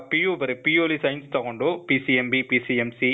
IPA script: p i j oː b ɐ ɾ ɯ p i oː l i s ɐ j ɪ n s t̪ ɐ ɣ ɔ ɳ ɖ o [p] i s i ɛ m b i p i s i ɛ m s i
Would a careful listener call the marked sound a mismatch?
no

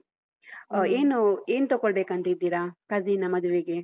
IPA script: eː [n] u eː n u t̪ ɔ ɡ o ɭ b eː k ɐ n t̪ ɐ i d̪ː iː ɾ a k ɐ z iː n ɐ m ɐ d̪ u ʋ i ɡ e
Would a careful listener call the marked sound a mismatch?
no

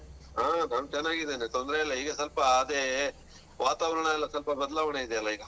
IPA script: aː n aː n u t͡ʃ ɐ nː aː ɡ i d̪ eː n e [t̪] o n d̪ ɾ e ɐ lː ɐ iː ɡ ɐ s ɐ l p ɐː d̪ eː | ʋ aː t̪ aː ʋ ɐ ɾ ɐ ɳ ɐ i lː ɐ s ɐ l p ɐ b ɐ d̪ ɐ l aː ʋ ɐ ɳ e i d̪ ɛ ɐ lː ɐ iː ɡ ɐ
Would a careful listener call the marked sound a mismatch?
no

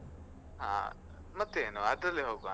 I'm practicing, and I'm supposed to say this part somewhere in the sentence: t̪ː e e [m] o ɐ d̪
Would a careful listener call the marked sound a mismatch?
yes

